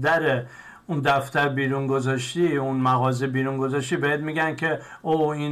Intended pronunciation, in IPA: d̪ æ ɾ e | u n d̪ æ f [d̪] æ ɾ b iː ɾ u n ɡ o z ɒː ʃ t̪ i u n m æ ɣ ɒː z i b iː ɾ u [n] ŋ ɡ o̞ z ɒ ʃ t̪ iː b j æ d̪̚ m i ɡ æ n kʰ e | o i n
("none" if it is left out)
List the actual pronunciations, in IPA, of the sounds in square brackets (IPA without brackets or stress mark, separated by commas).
t̪, none